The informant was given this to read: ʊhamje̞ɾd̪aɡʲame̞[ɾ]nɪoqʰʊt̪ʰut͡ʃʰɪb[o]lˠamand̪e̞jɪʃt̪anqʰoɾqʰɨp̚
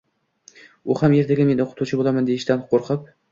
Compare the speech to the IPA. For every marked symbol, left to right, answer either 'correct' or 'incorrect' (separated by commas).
incorrect, correct